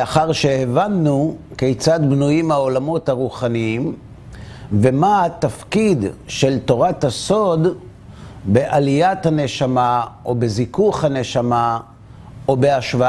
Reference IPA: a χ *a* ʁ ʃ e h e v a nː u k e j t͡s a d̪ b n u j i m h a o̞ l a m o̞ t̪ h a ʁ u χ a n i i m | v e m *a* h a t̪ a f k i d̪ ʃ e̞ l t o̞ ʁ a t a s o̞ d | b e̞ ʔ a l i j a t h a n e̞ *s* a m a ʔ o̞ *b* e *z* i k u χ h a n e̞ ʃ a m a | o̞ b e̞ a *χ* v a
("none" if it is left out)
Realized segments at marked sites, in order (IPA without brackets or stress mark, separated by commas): a, a, ʃ, b, z, ʃ